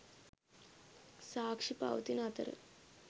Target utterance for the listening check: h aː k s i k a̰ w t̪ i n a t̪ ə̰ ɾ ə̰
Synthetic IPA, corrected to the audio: s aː k ʂ i p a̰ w t̪ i n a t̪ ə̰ ɾ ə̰